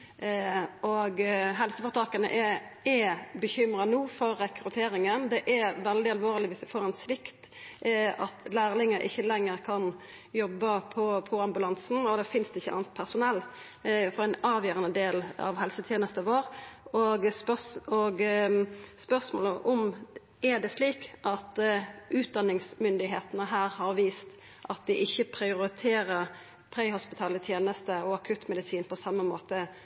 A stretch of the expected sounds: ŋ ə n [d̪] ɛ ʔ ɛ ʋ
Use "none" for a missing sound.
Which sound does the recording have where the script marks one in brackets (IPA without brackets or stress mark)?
d̪